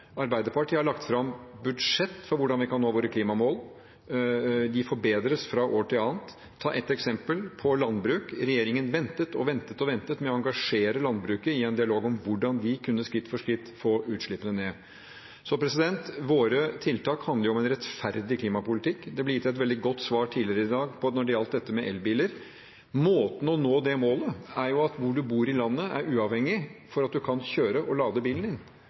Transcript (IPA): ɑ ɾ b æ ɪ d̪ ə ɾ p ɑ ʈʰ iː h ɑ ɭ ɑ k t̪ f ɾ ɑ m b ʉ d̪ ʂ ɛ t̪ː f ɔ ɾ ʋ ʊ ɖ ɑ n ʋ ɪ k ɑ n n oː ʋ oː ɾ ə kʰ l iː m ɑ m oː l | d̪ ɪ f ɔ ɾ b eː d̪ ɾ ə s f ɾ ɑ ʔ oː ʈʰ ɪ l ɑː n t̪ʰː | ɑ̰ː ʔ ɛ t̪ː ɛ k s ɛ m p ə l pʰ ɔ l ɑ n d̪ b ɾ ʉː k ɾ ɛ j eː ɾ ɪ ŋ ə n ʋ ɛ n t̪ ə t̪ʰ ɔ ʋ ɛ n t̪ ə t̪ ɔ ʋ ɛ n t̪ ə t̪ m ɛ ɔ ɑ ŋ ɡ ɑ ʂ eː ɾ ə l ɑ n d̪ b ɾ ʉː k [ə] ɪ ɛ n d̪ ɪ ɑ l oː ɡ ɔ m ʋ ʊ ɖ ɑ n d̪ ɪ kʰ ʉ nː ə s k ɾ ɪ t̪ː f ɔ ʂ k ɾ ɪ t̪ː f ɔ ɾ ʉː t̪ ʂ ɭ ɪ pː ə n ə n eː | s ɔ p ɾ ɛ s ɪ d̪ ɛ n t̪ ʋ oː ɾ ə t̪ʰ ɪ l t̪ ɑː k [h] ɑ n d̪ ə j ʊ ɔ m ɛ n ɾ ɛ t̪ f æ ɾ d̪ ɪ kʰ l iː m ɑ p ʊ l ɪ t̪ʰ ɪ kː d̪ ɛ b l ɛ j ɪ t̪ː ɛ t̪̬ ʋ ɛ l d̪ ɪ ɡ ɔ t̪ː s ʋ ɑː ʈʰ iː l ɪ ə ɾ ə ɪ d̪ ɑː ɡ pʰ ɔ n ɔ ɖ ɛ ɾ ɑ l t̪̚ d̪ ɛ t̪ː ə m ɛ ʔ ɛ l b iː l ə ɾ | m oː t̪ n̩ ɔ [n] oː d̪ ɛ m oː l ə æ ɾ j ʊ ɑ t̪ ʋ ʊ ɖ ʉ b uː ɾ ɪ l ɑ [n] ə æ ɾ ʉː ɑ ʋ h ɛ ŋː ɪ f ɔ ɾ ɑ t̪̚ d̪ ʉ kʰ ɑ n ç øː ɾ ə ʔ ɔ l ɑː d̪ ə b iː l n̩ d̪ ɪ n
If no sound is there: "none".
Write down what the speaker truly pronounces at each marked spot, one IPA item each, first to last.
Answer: ə, h, n, nː

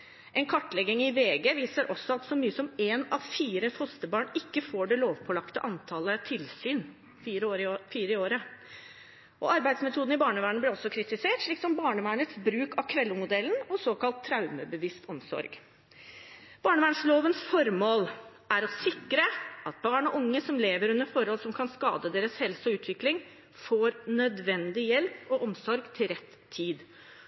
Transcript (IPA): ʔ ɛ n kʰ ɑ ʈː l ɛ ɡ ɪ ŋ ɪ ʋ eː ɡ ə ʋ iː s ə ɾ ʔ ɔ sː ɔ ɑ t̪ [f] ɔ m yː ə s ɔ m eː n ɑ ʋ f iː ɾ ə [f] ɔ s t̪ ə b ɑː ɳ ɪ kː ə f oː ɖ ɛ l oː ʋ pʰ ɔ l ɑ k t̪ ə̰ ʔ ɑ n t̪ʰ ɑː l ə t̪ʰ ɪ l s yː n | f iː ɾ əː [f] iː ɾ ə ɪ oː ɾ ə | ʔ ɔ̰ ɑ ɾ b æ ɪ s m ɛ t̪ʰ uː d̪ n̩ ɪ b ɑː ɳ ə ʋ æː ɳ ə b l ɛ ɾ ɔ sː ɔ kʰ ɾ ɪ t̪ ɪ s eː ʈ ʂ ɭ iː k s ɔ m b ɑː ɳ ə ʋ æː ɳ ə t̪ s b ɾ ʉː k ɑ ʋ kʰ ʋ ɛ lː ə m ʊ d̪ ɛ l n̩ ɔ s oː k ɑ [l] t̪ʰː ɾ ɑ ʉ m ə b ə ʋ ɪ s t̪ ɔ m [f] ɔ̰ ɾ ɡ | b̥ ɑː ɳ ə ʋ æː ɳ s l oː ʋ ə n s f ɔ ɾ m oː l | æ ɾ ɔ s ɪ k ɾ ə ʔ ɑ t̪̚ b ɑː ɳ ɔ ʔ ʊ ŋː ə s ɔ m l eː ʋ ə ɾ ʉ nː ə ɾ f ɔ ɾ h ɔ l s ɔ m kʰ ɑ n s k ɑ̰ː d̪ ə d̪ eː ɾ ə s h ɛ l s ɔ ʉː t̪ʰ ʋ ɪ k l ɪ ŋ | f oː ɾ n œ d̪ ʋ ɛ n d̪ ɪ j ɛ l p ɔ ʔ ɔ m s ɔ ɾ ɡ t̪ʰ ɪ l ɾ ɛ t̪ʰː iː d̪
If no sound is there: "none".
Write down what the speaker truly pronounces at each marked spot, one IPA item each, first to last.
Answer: s, f, f, l, s

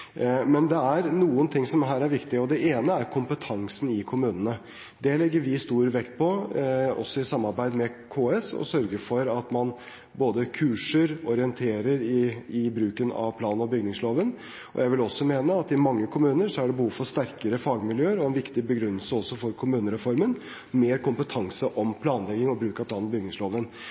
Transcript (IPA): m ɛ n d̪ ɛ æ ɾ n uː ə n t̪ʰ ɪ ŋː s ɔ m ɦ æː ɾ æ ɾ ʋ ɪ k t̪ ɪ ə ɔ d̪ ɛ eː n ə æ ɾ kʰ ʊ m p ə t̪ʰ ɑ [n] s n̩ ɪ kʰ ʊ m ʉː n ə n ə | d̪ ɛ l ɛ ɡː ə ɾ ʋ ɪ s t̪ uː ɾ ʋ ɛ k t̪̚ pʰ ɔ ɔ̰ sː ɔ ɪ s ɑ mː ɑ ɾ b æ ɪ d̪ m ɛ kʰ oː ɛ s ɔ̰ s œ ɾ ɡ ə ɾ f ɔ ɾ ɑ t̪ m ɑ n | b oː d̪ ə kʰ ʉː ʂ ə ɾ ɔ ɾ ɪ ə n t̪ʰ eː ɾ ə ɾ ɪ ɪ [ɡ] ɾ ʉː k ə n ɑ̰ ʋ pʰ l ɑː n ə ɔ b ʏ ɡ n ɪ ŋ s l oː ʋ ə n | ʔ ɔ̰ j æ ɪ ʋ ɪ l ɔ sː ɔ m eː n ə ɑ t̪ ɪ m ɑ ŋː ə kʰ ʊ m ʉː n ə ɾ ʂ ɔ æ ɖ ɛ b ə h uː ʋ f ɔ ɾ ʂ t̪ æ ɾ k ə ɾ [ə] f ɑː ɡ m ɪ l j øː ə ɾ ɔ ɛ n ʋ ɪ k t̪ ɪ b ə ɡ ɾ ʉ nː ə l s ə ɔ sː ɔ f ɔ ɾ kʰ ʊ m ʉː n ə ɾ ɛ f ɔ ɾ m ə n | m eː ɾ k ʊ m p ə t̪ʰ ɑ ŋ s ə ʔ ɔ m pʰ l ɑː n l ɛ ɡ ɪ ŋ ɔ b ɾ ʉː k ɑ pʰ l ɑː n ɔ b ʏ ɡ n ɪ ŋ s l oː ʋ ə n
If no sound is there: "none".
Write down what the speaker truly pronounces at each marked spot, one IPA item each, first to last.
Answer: ŋ, b, ə

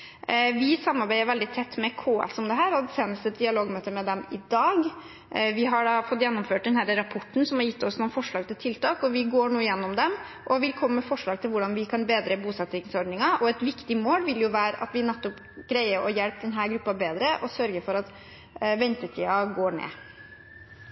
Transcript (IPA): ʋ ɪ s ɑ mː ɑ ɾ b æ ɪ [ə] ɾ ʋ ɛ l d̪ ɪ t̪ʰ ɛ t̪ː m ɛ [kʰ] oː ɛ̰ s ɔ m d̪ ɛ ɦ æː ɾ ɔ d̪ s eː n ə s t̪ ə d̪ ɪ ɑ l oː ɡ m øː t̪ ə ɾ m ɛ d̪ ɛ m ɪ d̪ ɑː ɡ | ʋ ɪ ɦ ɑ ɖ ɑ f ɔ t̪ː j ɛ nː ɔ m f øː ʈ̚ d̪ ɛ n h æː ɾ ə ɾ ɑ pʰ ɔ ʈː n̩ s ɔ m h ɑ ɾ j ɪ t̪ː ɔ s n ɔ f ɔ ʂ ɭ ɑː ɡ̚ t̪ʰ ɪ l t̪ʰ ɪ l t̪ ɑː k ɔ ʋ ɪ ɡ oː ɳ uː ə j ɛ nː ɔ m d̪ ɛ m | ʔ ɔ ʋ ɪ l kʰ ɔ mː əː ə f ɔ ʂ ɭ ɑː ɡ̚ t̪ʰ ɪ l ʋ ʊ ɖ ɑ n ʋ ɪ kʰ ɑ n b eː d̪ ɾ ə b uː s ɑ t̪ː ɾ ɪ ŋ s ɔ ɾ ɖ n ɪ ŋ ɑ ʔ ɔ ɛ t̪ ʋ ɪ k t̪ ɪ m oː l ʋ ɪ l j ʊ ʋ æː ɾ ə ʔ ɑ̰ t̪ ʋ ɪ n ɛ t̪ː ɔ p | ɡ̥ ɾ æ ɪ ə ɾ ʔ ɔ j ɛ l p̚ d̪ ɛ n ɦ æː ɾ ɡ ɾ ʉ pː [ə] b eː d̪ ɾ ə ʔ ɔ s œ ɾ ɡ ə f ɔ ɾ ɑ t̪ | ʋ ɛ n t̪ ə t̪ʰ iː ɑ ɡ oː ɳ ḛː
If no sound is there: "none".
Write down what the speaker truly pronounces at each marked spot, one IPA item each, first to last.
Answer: ə, kʰ, ɑ

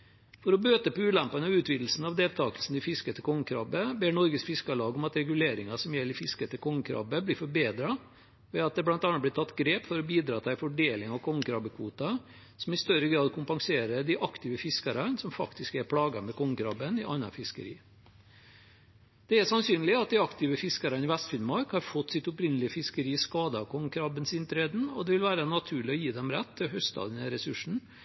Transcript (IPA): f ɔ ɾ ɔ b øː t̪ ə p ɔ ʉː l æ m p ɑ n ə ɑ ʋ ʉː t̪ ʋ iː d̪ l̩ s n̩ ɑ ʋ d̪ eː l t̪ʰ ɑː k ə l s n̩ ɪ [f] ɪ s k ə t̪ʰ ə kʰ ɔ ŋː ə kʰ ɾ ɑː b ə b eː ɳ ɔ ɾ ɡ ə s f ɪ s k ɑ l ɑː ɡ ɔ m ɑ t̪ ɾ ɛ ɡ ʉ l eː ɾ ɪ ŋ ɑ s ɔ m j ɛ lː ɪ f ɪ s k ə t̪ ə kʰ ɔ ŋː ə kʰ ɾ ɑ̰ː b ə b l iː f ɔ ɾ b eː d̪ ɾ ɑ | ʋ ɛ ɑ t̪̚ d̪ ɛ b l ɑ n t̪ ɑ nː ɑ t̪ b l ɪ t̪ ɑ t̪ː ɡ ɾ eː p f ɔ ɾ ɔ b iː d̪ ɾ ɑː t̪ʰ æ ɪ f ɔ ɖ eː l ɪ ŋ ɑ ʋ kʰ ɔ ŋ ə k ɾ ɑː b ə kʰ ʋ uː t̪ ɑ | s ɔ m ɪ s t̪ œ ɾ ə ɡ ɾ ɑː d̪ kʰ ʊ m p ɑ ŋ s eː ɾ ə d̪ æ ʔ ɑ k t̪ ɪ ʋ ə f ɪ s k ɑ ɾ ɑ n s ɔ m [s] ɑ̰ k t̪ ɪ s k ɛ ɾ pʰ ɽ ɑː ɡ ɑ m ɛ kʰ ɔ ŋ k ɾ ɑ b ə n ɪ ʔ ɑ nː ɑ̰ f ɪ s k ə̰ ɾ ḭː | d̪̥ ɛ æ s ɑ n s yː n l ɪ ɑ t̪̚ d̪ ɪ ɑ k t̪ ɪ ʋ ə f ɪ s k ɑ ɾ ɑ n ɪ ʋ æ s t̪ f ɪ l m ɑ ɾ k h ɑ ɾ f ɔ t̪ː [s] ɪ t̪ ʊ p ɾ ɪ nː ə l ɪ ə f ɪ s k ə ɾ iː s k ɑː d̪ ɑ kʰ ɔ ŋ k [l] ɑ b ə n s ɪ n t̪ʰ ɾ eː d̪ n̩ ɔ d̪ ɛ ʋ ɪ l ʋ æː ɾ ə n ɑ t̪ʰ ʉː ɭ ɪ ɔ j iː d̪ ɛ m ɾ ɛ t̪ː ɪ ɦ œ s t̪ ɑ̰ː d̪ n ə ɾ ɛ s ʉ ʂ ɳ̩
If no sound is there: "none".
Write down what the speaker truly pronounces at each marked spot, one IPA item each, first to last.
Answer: f, f, s, ɾ

